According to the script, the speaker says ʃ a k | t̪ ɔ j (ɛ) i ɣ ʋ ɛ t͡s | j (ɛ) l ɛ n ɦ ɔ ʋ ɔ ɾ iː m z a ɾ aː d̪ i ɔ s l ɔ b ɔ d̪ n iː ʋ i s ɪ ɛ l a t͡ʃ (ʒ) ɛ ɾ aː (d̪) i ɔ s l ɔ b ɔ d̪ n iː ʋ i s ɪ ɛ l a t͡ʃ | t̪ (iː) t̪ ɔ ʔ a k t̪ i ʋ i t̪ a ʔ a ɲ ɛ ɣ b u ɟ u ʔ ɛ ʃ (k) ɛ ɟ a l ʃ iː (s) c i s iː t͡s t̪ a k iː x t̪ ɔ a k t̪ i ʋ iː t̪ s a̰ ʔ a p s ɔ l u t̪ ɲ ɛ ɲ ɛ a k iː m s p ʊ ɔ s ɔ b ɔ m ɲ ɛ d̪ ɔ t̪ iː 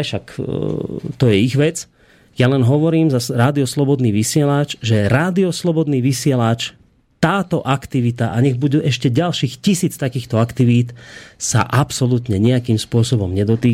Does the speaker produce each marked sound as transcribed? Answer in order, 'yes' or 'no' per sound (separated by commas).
yes, no, yes, yes, no, no, no